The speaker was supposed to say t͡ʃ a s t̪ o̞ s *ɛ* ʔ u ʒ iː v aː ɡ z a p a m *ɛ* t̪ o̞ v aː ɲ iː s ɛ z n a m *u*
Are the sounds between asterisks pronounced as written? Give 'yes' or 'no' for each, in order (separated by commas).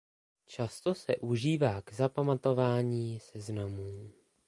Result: yes, no, no